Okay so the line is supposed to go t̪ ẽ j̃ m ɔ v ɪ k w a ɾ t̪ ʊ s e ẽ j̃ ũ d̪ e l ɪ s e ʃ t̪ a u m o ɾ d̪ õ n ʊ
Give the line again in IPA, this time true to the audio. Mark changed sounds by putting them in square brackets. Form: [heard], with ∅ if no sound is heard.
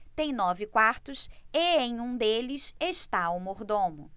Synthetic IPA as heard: t̪ ẽ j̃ [n] ɔ v ɪ k w a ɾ t̪ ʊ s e ẽ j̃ ũ d̪ e l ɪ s e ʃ t̪ a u m o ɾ d̪ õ [m] ʊ